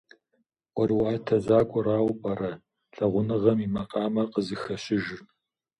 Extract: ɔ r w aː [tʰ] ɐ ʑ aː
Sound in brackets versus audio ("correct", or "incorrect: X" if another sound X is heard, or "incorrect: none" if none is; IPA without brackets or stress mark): correct